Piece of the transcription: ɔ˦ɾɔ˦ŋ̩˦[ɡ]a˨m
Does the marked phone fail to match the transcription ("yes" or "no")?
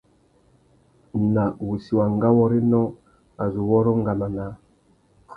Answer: no